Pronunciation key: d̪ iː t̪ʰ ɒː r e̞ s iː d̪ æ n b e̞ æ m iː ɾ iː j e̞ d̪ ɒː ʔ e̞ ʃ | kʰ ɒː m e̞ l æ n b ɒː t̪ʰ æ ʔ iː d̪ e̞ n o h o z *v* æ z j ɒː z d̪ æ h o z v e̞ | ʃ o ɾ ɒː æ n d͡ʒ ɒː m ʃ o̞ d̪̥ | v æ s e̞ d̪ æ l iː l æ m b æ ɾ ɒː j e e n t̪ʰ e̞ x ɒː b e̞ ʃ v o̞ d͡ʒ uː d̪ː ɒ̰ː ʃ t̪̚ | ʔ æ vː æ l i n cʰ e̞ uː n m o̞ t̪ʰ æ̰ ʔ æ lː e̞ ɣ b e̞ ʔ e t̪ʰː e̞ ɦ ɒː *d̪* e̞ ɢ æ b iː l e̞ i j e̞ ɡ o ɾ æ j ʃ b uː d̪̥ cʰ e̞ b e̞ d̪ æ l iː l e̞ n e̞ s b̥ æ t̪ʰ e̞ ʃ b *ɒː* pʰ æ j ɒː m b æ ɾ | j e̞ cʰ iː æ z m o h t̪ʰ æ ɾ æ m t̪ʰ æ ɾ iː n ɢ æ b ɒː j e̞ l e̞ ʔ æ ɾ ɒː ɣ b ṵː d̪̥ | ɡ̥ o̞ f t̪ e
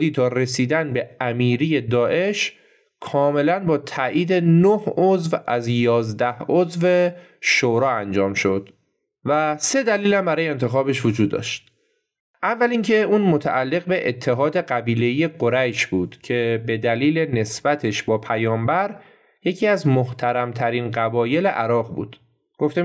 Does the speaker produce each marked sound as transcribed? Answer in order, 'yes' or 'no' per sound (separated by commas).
yes, yes, yes